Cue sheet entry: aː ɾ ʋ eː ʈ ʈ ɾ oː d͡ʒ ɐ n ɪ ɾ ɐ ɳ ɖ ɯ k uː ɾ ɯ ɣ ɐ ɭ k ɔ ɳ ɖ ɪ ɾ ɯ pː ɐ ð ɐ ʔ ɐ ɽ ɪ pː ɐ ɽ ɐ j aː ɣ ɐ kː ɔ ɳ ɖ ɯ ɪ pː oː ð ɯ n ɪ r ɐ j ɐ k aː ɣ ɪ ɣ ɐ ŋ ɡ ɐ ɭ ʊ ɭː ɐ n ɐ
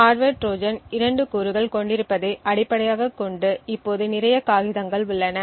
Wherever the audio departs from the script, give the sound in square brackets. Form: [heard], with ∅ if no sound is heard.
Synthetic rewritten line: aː ɾ ʋ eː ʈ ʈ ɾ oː d͡ʒ ɐ n ɪ ɾ ɐ ɳ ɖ ɯ k uː ɾ ɯ ɣ ɐ ɭ k ɔ ɳ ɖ ɪ ɾ ɯ pː ɐ ð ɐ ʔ ɐ ɽ ɪ pː ɐ ɽ ɐ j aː ɣ ɐ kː ɔ ɳ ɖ ɯ ɪ pː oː ð ɯ n ɪ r ɐ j ɐ k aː ɣ ɪ [ð] ɐ ŋ ɡ ɐ ɭ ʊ ɭː ɐ n ɐ

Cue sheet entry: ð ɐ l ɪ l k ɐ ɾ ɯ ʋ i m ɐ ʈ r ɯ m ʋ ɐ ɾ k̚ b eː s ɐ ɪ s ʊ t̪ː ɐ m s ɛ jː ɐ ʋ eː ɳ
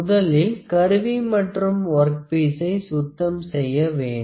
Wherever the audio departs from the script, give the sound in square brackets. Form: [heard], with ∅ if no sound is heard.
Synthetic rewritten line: ð ɐ l ɪ l k ɐ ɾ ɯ ʋ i m ɐ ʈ r ɯ m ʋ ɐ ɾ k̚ [p] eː s ɐ ɪ s ʊ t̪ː ɐ m s ɛ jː ɐ ʋ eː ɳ

